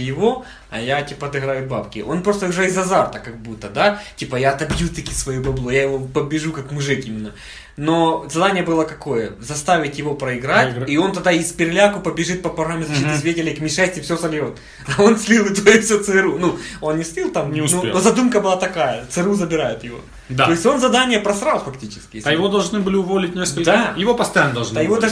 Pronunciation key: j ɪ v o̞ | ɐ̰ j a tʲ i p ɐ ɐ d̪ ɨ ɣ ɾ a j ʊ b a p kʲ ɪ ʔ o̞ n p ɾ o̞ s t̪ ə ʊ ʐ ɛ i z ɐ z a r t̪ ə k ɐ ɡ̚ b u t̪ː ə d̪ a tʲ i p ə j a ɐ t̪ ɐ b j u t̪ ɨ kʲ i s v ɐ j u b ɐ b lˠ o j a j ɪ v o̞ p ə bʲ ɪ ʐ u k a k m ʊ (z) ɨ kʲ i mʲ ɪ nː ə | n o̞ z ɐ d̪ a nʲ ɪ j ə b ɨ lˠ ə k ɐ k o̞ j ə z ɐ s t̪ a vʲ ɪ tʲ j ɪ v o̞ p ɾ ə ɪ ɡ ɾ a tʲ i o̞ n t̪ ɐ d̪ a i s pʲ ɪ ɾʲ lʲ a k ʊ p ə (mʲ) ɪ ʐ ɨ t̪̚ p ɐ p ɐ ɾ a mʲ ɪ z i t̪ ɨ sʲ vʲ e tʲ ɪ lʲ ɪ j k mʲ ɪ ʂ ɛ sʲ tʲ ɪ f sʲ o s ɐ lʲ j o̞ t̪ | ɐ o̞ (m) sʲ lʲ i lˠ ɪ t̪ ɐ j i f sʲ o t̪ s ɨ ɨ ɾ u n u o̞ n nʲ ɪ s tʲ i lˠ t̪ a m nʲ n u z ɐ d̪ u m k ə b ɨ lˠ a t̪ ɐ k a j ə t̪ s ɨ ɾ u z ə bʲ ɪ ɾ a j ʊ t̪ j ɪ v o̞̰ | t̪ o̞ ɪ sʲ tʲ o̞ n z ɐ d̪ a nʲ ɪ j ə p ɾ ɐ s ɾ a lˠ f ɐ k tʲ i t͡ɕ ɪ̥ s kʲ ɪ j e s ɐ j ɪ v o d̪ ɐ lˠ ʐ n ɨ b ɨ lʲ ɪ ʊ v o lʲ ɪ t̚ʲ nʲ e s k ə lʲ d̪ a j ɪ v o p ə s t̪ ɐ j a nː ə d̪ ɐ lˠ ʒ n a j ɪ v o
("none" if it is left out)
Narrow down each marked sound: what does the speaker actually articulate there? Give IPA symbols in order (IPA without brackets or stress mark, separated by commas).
ʐ, bʲ, n